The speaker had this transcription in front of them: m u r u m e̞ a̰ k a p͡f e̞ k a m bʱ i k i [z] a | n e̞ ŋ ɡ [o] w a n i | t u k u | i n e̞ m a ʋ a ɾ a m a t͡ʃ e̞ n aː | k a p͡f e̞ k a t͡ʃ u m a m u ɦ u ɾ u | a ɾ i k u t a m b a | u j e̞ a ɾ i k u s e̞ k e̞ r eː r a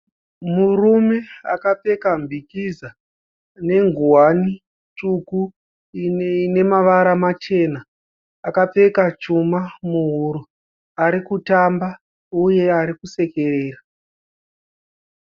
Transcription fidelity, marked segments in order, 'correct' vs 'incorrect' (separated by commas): correct, incorrect